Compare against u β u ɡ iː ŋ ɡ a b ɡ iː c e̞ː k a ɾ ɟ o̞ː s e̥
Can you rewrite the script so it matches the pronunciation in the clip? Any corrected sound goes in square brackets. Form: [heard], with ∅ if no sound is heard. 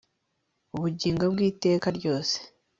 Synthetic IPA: u β u [ɟ] iː ŋ ɡ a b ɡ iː [t] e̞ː k a ɾ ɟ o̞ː s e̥

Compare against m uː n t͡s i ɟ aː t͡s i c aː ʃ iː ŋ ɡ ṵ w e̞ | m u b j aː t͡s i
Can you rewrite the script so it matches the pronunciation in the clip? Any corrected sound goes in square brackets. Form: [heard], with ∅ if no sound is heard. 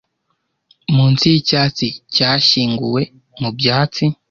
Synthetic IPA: m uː n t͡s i [c] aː t͡s i c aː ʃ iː ŋ ɡ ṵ w e̞ | m u b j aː t͡s i

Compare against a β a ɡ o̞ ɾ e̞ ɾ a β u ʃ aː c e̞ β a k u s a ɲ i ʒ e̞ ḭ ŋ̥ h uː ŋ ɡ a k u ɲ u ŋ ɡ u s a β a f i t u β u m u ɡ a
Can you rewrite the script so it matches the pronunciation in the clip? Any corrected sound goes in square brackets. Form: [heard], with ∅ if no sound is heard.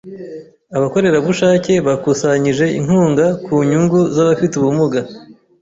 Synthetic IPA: a β a [k] o̞ ɾ e̞ ɾ a β u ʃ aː c e̞ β a k u s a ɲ i ʒ e̞ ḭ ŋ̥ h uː ŋ ɡ a k u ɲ u ŋ ɡ u [z] a β a f i t u β u m u ɡ a

